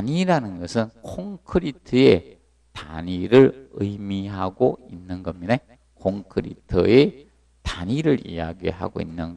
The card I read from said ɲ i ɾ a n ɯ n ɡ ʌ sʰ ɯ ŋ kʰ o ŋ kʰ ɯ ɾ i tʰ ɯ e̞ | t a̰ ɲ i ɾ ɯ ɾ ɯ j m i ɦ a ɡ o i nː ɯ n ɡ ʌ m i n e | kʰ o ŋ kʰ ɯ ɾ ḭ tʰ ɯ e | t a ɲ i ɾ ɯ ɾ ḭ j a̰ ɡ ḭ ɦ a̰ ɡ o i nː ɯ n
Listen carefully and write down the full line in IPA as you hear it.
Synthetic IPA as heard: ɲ i ɾ a n ɯ n ɡ ʌ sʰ ɯ n kʰ o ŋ kʰ ɯ ɾ i tʰ ɯ e̞ | t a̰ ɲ i ɾ ɯ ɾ ɯ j m i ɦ a ɡ o i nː ɯ n ɡ ʌ m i n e | kʰ o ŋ kʰ ɯ ɾ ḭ tʰ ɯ e | t a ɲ i ɾ ɯ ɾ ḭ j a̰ ɡ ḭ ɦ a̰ ɡ o i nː ɯ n